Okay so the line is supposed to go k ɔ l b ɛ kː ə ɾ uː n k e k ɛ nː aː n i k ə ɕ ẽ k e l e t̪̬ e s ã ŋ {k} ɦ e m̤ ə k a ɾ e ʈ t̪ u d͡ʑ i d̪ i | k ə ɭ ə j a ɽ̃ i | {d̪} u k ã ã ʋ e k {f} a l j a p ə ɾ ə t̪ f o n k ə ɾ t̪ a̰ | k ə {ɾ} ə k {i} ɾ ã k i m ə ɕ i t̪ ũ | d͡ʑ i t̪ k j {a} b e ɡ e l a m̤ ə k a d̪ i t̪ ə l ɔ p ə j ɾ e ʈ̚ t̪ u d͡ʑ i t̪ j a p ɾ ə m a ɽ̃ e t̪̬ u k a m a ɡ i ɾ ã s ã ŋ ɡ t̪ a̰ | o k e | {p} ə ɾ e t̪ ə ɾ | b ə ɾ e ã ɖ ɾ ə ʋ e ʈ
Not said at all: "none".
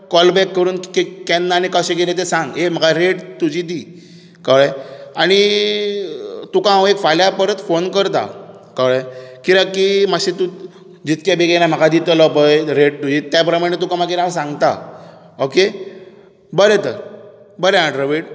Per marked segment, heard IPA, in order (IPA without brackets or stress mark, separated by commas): ɡ, t̪, f, ɭ, i, a, b